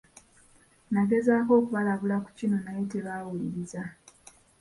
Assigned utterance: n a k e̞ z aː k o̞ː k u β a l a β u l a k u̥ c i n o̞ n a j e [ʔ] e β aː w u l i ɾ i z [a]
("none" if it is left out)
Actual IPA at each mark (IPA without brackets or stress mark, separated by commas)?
t, a